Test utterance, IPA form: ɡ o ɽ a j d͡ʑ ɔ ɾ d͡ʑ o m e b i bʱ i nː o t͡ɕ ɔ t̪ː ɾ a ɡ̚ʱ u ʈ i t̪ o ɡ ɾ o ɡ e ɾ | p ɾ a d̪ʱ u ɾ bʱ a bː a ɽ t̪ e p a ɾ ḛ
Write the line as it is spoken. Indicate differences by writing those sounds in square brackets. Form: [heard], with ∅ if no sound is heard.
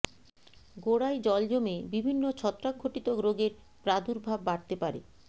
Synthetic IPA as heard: ɡ o ɽ a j d͡ʑ ɔ [l] d͡ʑ o m e b i bʱ i nː o [t͡ɕʰ] ɔ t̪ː ɾ a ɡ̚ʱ [o] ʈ i t̪ o ɡ ɾ o ɡ e ɾ | p ɾ a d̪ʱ u ɾ bʱ a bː a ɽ t̪ e p a ɾ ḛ